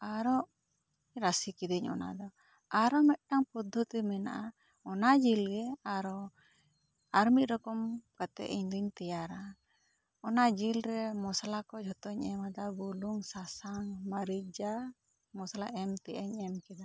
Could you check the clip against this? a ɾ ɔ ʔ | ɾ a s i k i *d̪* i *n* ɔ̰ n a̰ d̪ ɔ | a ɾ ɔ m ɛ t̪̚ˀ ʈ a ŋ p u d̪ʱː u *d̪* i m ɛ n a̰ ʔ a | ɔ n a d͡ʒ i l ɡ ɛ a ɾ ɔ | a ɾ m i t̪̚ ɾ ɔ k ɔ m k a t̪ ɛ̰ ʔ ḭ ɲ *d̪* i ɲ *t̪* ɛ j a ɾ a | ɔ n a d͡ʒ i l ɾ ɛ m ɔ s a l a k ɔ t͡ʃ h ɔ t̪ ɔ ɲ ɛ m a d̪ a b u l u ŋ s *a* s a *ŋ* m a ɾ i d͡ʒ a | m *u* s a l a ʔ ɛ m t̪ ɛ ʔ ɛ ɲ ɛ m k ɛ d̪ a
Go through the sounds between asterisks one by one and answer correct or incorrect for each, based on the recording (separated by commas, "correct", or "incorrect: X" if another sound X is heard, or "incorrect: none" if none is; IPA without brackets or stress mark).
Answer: correct, incorrect: ɲ, incorrect: t̪, correct, correct, correct, correct, incorrect: ɔ